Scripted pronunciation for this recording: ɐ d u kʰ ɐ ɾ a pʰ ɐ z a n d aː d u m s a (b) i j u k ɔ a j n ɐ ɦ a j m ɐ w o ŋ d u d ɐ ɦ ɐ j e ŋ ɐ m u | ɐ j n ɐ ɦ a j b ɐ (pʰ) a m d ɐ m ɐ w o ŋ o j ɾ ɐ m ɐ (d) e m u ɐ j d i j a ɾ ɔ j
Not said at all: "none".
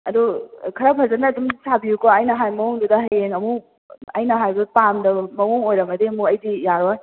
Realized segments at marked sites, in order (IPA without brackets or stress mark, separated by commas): b, p, d